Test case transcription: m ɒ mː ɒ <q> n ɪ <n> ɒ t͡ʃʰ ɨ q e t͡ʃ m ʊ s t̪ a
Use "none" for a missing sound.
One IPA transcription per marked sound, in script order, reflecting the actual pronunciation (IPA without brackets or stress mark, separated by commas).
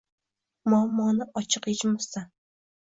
none, none